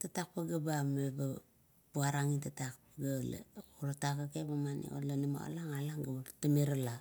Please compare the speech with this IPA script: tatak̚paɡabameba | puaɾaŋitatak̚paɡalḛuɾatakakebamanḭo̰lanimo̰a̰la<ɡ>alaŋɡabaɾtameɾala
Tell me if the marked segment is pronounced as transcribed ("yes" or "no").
no